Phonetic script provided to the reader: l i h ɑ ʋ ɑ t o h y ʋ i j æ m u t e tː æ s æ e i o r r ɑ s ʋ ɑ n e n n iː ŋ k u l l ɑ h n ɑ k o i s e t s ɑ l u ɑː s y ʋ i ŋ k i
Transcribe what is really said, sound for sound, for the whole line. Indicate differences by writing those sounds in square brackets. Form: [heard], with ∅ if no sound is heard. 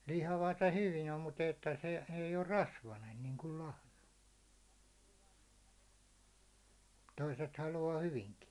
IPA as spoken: l i h ɑ ʋ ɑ t o h y ʋ i j æ m u t e tː æ s [e] e i o r r ɑ s ʋ ɑ n e n n iː ŋ k u l l ɑ h n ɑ [t] o i s e t [h] ɑ l u ɑː [h] y ʋ i ŋ k i